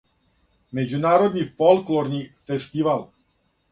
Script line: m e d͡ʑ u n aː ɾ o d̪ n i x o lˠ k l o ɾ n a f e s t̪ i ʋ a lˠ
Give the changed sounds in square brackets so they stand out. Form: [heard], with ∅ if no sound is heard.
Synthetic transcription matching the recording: m e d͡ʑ u n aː ɾ o d̪ n i [f] o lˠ k l o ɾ n [i] f e s t̪ i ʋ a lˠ